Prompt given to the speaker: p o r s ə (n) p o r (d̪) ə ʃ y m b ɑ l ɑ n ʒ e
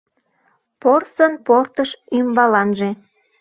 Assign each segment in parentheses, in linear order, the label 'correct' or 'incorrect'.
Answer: correct, incorrect

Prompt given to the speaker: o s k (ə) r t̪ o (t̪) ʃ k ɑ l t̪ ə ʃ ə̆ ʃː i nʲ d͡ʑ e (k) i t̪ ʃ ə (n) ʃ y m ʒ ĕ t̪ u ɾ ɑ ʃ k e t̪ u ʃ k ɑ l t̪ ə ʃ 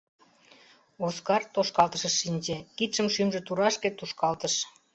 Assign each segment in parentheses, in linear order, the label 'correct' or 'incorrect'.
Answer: incorrect, incorrect, correct, incorrect

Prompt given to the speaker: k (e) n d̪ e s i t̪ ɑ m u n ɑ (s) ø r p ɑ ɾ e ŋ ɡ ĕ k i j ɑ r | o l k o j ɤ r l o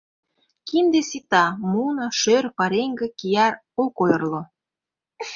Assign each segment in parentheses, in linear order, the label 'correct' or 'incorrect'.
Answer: incorrect, incorrect

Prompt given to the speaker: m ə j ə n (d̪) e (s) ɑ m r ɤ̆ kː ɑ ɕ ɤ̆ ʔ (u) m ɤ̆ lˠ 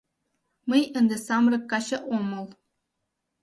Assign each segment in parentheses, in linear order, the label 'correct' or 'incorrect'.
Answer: correct, correct, incorrect

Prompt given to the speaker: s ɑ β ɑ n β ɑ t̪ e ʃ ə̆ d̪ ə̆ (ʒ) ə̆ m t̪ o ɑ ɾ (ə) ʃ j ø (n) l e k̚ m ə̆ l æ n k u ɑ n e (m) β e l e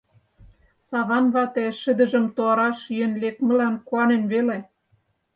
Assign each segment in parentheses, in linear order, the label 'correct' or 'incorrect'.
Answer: correct, incorrect, correct, incorrect

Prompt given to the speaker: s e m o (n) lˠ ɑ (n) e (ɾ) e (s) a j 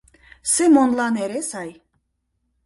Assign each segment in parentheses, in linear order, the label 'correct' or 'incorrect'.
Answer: correct, correct, correct, correct

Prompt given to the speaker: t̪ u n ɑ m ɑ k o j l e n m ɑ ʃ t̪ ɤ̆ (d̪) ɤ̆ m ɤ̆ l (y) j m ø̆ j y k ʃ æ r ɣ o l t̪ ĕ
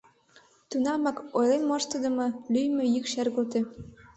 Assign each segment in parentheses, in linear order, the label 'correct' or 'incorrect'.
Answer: correct, correct

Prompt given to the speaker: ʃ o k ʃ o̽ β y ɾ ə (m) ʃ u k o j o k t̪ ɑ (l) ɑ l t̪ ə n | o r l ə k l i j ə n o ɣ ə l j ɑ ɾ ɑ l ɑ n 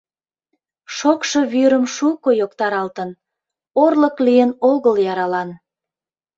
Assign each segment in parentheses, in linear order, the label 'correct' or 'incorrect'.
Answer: correct, incorrect

